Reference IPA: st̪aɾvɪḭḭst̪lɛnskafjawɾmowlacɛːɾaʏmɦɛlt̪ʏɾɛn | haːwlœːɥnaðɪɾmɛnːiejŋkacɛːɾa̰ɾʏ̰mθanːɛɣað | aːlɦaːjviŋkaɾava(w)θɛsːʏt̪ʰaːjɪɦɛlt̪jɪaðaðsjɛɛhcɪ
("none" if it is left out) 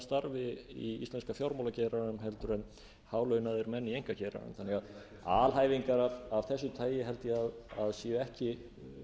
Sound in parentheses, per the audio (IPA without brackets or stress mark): v